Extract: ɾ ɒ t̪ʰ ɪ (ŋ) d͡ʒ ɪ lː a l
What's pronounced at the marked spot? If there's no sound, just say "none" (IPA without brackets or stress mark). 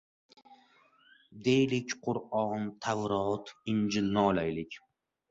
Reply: n